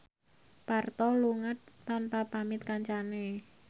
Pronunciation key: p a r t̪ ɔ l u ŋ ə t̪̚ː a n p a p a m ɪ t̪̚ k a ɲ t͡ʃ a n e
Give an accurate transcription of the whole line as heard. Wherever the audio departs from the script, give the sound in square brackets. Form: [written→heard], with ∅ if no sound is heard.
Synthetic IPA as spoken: p a r t̪ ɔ l u ŋ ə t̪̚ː a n p a p a m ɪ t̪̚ k a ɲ t͡ʃ a n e